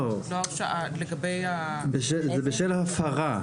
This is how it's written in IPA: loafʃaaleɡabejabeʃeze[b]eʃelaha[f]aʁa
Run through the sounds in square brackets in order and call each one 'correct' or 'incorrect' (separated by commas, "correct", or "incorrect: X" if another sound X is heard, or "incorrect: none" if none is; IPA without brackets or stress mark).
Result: correct, correct